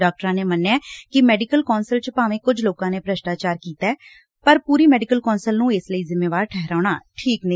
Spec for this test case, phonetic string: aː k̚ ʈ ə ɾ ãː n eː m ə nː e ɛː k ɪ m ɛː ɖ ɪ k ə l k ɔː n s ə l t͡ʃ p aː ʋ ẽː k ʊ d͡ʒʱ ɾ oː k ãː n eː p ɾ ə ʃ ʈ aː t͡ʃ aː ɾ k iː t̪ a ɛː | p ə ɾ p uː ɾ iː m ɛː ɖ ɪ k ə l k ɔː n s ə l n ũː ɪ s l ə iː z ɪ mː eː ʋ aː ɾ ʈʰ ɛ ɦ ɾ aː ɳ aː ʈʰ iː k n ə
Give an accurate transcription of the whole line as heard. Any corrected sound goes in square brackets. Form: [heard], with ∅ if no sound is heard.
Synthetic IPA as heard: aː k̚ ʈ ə ɾ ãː n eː m ə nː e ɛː k ɪ m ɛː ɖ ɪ k ə l k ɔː n s ə l t͡ʃ p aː ʋ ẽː k ʊ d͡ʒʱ [l] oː k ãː n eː p ɾ ə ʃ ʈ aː t͡ʃ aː ɾ k iː t̪ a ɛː | p ə ɾ p uː ɾ iː m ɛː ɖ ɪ k ə l k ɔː n s ə l n ũː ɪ s l ə iː z ɪ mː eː ʋ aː ɾ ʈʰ ɛ ɦ ɾ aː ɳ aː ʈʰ iː k n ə

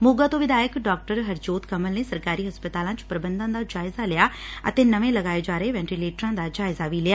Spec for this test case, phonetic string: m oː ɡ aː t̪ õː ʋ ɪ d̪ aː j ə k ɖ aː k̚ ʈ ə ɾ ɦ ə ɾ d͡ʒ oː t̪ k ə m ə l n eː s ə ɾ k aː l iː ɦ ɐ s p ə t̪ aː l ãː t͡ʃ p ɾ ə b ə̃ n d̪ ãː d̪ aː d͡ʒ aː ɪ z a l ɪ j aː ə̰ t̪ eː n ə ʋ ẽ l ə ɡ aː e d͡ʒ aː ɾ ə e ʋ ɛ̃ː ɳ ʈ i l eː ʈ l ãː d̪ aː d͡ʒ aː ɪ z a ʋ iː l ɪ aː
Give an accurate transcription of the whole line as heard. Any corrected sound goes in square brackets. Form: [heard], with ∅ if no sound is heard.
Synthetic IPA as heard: m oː ɡ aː t̪ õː ʋ ɪ d̪ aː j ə k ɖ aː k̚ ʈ ə ɾ ɦ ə ɾ d͡ʒ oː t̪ k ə m ə l n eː s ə ɾ k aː [ɾ] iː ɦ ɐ s p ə t̪ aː l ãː t͡ʃ p ɾ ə b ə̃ n d̪ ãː d̪ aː d͡ʒ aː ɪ z a l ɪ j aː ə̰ t̪ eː n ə ʋ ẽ l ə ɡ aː e d͡ʒ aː ɾ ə e ʋ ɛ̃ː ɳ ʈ i l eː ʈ [ɾ] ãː d̪ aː d͡ʒ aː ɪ z a ʋ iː l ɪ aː

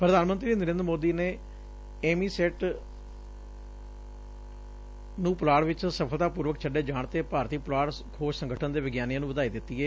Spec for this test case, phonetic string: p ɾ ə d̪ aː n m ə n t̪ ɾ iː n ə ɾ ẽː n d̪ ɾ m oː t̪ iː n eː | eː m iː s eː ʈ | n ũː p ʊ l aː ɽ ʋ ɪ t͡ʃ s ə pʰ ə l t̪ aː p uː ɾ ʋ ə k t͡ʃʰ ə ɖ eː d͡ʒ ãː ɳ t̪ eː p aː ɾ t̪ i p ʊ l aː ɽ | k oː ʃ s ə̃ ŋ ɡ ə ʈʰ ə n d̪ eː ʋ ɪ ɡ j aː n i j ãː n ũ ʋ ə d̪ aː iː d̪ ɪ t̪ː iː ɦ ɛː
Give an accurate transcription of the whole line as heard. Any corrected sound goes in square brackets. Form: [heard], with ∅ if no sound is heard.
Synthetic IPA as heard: p ɾ ə d̪ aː n m ə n t̪ ɾ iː n ə ɾ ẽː n d̪ ɾ m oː [d̪] iː n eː | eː m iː s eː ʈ | n ũː p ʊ l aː ɽ ʋ ɪ t͡ʃ s ə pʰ ə l t̪ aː p uː ɾ ʋ ə k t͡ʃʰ ə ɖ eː d͡ʒ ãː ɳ t̪ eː p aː ɾ t̪ [iː] p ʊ l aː ɽ | [kʰ] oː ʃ s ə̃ ŋ ɡ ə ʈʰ ə n d̪ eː ʋ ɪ ɡ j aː n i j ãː n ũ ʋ ə d̪ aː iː d̪ ɪ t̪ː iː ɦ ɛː

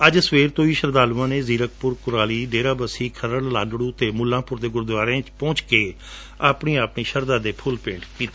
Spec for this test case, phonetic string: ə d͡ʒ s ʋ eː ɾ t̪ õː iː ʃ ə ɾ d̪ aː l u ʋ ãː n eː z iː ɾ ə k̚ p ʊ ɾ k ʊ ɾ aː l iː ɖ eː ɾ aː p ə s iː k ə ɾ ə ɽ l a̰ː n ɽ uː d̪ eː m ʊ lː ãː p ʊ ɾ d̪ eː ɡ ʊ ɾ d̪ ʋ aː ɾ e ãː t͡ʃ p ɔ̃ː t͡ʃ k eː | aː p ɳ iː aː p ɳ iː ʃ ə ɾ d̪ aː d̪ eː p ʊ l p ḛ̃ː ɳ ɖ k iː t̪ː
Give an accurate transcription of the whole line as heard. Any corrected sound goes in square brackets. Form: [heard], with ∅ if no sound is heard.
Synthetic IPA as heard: ə d͡ʒ s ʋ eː ɾ t̪ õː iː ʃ ə ɾ d̪ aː l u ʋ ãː n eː z iː ɾ ə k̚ p ʊ ɾ k ʊ ɾ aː l iː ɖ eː ɾ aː [b] ə s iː [kʰ] ə ɾ ə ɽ l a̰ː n ɽ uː [t̪] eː m ʊ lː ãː p ʊ ɾ d̪ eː ɡ ʊ ɾ d̪ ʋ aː ɾ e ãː t͡ʃ p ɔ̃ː t͡ʃ k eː | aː p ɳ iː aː p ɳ iː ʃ ə ɾ d̪ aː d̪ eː [pʰ] ʊ l p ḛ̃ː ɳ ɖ k iː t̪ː

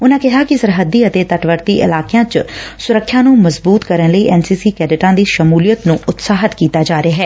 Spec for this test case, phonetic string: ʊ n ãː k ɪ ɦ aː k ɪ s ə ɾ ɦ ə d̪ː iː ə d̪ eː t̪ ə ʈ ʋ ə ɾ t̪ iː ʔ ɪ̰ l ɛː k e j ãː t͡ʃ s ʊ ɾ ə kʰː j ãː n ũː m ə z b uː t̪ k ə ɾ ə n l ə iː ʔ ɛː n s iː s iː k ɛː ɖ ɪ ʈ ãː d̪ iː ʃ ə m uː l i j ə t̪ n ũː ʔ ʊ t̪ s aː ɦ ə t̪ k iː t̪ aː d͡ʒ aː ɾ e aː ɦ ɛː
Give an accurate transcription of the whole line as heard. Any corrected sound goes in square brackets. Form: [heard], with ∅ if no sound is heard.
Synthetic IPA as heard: ʊ n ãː k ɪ ɦ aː k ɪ s ə ɾ ɦ ə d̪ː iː ə [t̪] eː t̪ ə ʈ ʋ ə ɾ t̪ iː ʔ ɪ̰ l [aː] k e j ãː t͡ʃ s ʊ ɾ ə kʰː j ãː n ũː m ə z b uː t̪ k ə ɾ ə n l ə iː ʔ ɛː n s iː s iː k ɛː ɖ ɪ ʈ ãː d̪ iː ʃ ə m uː l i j ə t̪ n ũː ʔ ʊ t̪ s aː ɦ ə t̪ k iː t̪ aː d͡ʒ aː ɾ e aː ɦ ɛː

